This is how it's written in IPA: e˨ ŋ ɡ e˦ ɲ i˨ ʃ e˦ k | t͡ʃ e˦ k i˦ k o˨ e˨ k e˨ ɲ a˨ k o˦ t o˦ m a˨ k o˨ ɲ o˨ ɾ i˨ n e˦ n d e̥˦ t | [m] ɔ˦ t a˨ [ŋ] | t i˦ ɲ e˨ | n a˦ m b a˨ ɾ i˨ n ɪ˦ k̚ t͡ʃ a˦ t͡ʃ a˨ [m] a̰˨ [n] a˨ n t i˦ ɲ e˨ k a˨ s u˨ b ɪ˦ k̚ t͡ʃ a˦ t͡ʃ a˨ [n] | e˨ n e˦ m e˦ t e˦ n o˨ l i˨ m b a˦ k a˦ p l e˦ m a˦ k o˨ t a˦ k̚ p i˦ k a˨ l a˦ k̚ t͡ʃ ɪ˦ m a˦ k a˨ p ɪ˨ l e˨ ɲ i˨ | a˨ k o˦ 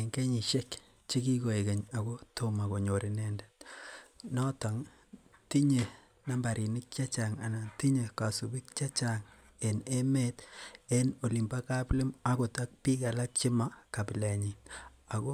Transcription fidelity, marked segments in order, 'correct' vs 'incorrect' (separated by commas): incorrect, correct, incorrect, correct, incorrect